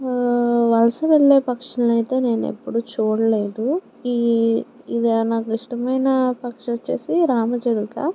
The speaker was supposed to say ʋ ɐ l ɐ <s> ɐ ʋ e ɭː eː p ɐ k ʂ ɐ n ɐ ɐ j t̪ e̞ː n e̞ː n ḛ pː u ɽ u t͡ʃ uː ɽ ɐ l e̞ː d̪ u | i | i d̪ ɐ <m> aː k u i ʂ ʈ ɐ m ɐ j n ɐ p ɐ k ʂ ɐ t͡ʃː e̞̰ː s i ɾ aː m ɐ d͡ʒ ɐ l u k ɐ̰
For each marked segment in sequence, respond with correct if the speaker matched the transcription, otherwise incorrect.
correct, incorrect: n

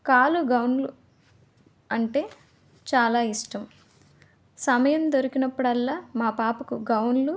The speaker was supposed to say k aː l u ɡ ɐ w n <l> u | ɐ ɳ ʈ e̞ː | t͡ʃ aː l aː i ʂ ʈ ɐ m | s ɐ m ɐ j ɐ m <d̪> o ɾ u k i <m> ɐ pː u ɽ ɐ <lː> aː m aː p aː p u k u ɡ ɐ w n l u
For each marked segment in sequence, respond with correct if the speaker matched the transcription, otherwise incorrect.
correct, correct, incorrect: n, correct

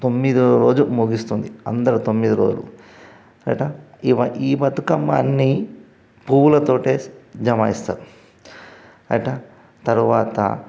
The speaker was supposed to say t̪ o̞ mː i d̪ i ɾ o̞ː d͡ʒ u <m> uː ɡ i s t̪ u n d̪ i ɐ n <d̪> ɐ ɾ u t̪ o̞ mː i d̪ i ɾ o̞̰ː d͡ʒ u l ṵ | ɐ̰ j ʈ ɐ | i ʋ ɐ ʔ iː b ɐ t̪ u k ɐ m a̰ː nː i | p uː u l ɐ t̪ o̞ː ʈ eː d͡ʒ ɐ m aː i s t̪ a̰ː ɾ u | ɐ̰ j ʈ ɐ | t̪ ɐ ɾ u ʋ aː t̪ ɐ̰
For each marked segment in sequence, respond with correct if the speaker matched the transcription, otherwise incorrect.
correct, correct

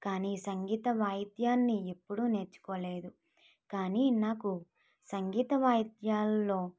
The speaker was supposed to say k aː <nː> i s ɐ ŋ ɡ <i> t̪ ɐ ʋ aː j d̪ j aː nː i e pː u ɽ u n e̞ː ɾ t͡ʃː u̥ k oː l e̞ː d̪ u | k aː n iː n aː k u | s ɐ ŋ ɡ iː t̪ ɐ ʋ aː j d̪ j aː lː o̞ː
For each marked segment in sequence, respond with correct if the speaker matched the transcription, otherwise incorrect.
incorrect: n, incorrect: iː

